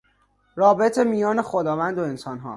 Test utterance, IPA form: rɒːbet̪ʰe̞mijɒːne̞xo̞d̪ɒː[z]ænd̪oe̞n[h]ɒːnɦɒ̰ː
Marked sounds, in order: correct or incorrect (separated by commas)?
incorrect, incorrect